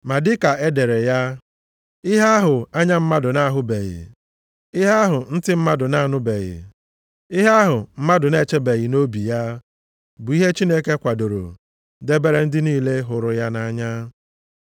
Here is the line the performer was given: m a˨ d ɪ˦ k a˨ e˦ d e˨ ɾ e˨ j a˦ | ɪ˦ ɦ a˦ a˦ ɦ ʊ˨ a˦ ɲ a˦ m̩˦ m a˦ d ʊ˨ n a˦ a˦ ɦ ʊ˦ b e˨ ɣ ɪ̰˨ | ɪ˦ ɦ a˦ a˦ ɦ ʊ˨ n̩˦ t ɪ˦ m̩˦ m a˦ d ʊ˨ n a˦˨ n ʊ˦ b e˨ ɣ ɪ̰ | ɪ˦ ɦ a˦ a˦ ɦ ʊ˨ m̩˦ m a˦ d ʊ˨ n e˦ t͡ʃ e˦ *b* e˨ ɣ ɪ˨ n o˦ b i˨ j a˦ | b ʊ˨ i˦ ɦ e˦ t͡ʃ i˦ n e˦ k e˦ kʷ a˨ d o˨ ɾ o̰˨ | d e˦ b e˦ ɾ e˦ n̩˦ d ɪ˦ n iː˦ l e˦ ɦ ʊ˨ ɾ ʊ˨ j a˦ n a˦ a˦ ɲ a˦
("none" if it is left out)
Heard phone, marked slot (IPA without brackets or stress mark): b